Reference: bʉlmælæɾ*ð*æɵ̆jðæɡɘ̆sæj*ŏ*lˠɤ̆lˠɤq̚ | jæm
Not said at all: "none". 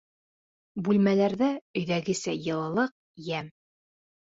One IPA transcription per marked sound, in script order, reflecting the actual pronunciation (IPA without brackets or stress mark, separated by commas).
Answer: ð, ɤ̆